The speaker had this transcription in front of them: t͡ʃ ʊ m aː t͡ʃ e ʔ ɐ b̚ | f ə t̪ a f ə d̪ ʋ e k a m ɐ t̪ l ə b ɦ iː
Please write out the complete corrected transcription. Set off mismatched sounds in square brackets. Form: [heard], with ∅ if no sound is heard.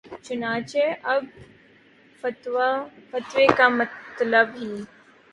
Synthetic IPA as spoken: t͡ʃ ʊ [n] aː t͡ʃ e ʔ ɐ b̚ | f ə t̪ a f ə [t̪] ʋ e k a m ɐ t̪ l ə b ɦ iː